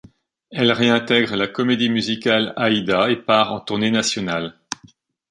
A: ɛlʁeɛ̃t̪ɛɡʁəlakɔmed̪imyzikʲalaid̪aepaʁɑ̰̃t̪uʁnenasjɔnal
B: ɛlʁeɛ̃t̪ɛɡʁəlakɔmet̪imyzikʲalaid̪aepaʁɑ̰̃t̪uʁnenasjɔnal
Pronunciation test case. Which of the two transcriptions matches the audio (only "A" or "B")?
A